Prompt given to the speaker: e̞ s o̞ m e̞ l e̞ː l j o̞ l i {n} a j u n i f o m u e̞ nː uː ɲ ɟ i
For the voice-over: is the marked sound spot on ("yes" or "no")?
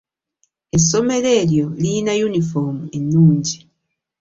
yes